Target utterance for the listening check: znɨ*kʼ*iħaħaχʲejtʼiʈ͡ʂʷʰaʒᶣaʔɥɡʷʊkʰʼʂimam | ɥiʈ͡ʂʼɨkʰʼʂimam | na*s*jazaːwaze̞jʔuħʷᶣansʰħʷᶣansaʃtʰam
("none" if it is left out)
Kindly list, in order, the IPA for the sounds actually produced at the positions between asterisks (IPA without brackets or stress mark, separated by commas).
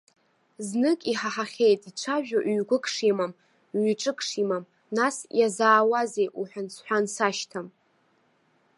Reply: kʼ, s